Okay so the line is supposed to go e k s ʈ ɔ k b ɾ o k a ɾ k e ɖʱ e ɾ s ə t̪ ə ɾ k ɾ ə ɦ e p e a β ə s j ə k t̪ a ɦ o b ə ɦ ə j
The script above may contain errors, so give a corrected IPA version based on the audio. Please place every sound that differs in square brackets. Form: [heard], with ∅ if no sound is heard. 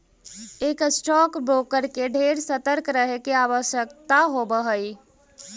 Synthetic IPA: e k s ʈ ɔ k b ɾ o k [ə] ɾ k e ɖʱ e ɾ s ə t̪ ə ɾ k ɾ ə ɦ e [k] e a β ə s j ə k t̪ a ɦ o b ə ɦ ə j